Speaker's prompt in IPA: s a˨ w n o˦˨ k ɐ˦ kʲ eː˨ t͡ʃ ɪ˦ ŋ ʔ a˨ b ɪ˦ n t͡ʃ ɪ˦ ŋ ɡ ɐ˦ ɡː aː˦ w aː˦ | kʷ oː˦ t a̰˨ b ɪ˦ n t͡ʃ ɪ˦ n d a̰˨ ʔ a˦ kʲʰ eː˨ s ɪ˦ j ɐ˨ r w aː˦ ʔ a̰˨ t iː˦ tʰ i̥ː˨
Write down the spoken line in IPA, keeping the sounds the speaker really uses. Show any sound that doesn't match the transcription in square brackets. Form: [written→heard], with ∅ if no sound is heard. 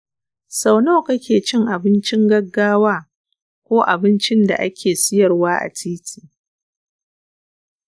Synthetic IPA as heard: s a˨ w n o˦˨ k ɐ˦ kʲ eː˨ t͡ʃ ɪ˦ ŋ ʔ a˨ b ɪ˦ n t͡ʃ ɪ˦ ŋ ɡ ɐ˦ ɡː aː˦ w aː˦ | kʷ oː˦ [t→ʔ] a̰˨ b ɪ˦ n t͡ʃ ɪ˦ n d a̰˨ ʔ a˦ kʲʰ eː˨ s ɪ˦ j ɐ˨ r w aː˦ ʔ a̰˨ t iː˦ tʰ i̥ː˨